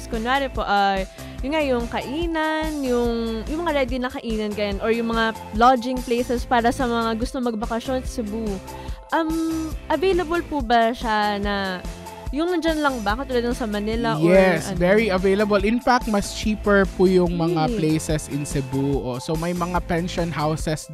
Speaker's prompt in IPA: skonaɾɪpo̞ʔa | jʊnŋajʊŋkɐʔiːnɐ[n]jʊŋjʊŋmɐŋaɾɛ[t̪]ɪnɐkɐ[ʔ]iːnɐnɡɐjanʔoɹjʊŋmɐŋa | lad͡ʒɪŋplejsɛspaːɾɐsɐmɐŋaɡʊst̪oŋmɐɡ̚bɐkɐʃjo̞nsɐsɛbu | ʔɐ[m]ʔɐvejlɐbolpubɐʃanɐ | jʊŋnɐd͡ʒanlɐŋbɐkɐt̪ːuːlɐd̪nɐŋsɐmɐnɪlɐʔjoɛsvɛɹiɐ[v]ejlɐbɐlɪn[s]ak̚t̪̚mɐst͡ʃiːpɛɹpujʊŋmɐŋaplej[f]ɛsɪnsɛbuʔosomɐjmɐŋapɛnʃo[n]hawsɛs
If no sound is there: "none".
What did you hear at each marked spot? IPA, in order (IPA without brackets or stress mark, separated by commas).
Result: n, d̪, ʔ, m, v, f, s, n